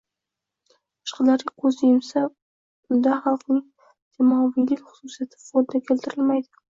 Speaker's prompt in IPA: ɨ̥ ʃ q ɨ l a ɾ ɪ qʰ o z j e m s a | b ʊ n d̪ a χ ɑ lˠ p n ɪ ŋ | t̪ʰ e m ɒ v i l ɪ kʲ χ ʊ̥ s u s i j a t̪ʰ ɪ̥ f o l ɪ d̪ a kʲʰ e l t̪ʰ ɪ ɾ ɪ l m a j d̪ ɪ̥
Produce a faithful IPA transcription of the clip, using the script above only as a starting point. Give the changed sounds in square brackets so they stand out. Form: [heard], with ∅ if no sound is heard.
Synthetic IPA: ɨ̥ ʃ q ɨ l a ɾ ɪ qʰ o z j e m s a | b ʊ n d̪ a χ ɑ lˠ [q] n ɪ ŋ | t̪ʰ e m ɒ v i l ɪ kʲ χ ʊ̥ s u s i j a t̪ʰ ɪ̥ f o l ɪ d̪ a kʲʰ e l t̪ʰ ɪ ɾ ɪ l m a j d̪ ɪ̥